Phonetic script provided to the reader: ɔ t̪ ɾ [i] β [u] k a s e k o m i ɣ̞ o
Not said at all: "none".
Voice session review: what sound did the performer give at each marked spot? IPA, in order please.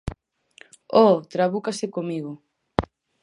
a, u

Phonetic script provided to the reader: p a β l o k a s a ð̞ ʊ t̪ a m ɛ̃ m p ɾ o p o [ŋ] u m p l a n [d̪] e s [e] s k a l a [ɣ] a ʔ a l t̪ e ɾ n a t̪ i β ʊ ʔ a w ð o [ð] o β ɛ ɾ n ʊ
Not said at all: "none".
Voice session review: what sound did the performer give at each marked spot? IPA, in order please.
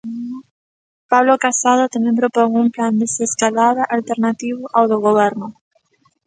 ŋ, d̪, e, ð, ɣ

